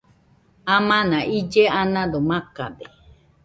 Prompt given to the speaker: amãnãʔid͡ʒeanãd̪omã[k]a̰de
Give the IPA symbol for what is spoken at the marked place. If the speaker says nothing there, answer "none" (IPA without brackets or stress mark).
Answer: k